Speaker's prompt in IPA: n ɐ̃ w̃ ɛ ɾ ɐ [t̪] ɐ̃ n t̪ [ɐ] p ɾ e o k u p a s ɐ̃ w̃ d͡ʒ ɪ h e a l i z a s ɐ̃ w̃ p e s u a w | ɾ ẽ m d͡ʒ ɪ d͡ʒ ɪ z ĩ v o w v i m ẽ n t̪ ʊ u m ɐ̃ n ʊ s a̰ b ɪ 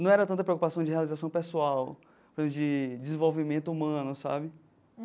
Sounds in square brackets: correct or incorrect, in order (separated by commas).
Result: correct, correct